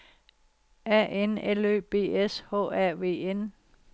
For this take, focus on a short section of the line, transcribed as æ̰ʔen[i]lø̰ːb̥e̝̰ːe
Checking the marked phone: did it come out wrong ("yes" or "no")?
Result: yes